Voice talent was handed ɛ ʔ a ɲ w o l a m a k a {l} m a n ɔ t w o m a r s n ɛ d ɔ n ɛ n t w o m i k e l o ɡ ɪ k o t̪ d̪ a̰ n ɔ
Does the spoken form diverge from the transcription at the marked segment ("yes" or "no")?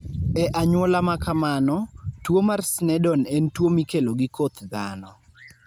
yes